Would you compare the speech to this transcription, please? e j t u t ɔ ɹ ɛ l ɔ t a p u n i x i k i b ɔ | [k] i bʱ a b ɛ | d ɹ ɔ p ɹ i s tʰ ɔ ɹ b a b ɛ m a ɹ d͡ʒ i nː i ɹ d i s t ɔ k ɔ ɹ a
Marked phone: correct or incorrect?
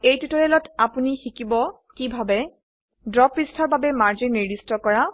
correct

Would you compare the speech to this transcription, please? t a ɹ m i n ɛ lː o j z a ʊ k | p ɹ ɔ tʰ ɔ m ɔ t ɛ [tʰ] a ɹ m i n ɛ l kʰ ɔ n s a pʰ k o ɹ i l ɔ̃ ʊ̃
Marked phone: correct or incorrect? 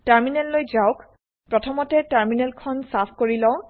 incorrect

